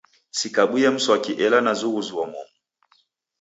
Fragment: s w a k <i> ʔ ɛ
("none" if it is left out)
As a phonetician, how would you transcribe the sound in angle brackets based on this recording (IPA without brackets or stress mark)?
i